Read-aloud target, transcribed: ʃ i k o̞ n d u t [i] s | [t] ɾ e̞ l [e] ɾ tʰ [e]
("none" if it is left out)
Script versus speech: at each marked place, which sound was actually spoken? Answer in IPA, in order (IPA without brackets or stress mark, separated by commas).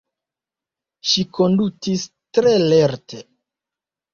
i, t, e, e